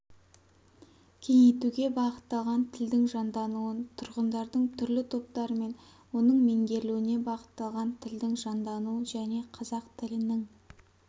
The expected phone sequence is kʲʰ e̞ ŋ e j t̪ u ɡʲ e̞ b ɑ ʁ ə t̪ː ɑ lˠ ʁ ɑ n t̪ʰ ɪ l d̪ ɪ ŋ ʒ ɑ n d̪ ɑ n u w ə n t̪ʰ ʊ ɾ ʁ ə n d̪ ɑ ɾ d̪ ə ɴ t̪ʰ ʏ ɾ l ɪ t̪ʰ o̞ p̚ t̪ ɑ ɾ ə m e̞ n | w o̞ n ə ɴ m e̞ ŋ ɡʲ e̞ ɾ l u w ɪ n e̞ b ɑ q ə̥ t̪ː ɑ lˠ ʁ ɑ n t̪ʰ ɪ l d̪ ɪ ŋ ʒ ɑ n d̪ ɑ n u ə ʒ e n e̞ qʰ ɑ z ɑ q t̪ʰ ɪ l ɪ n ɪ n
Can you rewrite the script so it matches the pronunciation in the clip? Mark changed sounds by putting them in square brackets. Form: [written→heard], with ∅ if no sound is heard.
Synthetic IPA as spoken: kʲʰ e̞ ŋ e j t̪ u ɡʲ e̞ b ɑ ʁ ə t̪ː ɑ lˠ ʁ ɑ n t̪ʰ ɪ l d̪ ɪ ŋ ʒ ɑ n d̪ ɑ n u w ə n t̪ʰ ʊ ɾ ʁ ə n d̪ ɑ ɾ d̪ ə ɴ t̪ʰ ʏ ɾ l ɪ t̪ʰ o̞ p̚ t̪ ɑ ɾ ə m e̞ n | w o̞ n ə ɴ m e̞ ŋ ɡʲ e̞ ɾ l u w ɪ n e̞ b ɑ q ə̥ t̪ː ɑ lˠ ʁ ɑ n t̪ʰ ɪ l d̪ ɪ ŋ ʒ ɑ n d̪ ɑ n u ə ʒ [e→æ] n e̞ qʰ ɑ z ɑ q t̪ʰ ɪ l ɪ n ɪ [n→ŋ]